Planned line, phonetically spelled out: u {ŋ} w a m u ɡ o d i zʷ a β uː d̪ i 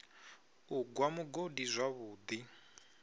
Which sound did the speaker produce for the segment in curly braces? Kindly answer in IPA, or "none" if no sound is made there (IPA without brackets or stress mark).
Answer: ɡ